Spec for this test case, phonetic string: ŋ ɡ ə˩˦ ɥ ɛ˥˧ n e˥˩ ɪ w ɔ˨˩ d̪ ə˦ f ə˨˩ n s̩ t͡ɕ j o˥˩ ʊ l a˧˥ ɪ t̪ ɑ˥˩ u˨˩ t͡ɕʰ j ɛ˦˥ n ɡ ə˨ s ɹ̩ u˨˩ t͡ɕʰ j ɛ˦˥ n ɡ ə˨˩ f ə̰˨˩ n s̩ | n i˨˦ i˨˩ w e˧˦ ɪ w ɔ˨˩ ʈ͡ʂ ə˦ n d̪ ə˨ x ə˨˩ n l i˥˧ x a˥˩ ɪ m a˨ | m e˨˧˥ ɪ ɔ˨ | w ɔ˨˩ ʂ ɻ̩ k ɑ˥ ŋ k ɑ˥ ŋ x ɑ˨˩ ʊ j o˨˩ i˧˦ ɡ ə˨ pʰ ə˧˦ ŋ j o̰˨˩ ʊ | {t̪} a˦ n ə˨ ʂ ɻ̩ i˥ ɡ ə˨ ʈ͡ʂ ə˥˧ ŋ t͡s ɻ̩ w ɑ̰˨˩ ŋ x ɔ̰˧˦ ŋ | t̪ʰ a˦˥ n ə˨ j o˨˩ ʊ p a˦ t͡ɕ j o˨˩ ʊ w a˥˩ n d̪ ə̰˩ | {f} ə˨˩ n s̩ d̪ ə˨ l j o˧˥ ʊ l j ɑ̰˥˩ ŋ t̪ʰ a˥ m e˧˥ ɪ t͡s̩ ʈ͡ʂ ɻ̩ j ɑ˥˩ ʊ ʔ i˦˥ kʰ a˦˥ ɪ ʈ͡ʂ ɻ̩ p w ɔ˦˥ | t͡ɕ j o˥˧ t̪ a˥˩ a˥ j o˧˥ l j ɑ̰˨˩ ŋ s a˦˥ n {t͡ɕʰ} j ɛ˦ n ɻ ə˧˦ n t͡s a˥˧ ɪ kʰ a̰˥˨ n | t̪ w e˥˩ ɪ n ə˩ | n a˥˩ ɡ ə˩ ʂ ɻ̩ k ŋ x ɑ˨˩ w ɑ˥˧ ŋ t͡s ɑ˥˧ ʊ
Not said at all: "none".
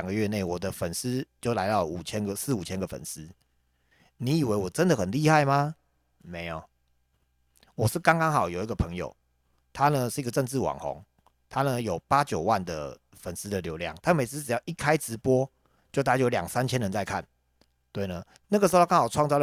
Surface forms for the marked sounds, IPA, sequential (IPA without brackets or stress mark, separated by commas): t̪ʰ, f, t͡ɕʰ